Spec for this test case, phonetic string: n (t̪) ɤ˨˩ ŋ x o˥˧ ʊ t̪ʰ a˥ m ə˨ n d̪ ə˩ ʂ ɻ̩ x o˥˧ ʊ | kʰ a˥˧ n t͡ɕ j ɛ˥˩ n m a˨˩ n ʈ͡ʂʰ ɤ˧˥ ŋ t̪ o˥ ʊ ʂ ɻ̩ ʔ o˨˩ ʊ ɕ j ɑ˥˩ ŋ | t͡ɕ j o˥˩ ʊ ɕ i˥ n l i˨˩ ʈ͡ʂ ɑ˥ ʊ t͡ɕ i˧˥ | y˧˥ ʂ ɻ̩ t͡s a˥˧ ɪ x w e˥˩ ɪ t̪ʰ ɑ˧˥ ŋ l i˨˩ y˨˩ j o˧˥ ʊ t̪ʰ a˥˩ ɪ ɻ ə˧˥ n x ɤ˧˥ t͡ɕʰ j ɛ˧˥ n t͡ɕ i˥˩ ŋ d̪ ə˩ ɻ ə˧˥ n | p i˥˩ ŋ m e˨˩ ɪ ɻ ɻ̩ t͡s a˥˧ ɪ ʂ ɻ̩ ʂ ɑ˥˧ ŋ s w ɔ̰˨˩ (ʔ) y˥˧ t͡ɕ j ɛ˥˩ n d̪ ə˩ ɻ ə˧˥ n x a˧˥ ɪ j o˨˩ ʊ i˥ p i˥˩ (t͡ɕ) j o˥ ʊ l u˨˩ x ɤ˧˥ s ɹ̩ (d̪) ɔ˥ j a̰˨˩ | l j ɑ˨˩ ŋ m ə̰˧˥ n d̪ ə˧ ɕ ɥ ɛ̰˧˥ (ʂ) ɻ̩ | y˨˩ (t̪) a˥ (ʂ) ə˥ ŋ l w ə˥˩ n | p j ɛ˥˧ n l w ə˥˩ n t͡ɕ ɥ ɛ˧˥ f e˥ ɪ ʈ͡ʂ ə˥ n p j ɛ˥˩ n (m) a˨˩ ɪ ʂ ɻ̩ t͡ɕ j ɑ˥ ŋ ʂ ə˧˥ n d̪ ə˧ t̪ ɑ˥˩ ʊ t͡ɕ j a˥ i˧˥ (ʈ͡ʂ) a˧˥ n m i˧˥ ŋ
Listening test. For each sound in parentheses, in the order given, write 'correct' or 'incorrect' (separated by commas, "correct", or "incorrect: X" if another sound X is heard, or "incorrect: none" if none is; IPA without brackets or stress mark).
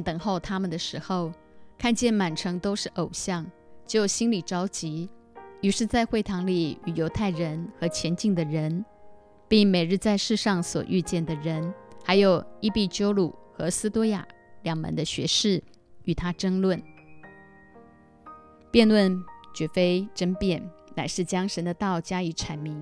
correct, correct, correct, incorrect: t̪, correct, incorrect: t̪ʰ, incorrect: ʈ͡ʂ, incorrect: n, incorrect: ʈ͡ʂʰ